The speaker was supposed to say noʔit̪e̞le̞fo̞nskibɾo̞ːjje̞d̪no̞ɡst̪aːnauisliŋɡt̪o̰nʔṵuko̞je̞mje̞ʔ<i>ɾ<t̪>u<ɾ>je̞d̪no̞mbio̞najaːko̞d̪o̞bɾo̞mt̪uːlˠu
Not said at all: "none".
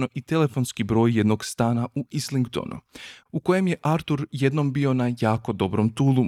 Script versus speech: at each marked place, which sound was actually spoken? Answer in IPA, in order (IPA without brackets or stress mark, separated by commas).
a, t̪, ɾ